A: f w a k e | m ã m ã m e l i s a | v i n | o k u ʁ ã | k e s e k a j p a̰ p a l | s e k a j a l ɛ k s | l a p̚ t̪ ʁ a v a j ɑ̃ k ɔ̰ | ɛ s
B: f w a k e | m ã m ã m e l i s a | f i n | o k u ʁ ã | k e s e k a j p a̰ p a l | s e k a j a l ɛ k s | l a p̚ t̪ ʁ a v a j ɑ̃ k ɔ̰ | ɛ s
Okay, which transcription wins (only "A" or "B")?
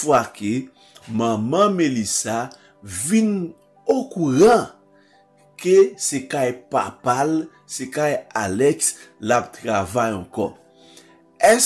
A